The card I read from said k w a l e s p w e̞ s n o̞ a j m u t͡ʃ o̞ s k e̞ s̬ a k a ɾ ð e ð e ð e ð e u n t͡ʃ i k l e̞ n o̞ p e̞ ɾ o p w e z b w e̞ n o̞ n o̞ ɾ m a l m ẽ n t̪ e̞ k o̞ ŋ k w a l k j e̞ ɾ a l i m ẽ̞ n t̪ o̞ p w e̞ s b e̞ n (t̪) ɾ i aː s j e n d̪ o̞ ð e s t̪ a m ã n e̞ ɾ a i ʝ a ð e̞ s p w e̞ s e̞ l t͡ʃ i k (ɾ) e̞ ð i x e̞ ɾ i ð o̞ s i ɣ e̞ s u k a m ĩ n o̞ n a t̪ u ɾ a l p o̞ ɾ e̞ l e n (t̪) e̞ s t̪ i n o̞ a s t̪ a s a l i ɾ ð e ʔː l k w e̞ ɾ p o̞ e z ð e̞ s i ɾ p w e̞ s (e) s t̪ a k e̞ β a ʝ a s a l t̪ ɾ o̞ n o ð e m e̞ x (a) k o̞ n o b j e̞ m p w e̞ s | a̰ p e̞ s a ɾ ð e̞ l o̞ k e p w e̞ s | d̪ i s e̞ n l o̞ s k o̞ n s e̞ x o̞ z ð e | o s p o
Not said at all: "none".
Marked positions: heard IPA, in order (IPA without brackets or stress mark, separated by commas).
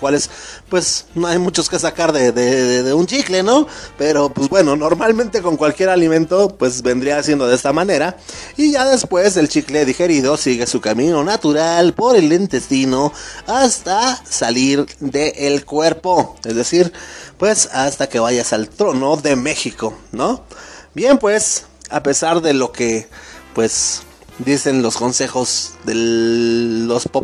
d̪, l, t̪, a, i